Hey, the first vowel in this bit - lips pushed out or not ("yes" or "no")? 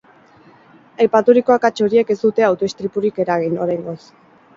no